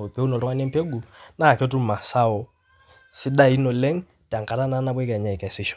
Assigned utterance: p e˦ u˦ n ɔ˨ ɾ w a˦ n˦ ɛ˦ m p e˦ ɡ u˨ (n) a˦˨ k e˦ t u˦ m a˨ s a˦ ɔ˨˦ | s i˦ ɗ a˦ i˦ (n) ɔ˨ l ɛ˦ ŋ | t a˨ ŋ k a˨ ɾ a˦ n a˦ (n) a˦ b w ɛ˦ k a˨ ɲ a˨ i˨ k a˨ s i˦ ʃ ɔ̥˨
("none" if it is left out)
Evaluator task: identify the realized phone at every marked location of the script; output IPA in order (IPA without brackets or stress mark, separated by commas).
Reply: n, n, n